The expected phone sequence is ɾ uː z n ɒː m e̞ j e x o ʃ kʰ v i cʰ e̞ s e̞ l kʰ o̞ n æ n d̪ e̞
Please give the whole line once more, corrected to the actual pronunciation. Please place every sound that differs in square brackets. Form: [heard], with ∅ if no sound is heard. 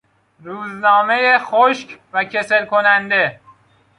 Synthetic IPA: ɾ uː z n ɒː m e̞ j e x o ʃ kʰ v [æ] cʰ e̞ s e̞ l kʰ o̞ n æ n d̪ e̞